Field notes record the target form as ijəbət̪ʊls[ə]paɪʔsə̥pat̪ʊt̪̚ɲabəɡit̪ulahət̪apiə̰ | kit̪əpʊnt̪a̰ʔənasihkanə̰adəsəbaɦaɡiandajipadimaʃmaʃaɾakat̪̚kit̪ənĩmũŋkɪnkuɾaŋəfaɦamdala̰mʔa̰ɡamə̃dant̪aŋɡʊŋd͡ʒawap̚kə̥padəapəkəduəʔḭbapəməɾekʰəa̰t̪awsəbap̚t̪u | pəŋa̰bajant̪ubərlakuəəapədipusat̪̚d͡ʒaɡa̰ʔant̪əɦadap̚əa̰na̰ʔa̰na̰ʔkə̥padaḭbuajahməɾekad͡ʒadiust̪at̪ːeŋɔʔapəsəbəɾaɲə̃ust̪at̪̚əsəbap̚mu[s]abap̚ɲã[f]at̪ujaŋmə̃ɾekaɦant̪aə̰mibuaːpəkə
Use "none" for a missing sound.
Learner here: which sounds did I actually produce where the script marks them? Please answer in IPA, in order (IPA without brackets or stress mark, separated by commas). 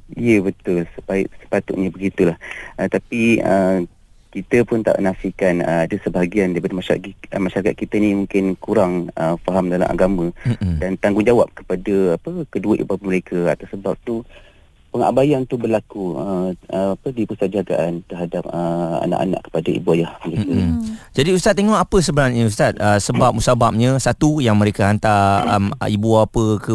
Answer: ə, s, s